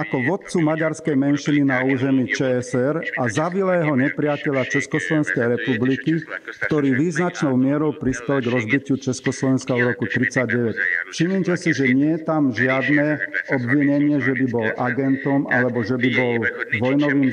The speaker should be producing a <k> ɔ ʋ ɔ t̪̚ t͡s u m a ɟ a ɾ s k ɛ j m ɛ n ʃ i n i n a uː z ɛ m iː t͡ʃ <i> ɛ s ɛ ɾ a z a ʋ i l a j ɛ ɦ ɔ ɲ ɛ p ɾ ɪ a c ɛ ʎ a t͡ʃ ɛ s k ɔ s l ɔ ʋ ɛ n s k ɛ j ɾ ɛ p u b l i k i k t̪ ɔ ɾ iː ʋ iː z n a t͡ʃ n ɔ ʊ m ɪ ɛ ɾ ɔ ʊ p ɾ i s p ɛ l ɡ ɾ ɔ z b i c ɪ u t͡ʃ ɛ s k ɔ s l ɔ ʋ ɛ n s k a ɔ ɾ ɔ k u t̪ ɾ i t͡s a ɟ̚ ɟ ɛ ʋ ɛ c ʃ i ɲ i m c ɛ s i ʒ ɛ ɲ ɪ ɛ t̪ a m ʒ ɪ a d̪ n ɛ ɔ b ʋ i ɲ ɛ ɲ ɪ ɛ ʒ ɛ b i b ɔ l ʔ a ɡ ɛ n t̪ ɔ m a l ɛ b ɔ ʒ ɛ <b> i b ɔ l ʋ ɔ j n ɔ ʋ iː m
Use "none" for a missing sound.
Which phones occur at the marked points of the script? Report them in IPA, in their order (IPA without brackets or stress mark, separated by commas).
k, ɛ, b